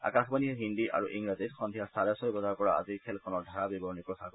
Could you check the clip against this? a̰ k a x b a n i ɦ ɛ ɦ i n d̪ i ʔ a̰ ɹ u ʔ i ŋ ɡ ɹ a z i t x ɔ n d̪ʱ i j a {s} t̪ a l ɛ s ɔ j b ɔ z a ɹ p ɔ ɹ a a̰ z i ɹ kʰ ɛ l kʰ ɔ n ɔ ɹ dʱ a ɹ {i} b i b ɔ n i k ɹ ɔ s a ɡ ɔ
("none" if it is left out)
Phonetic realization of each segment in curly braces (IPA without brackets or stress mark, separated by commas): s, a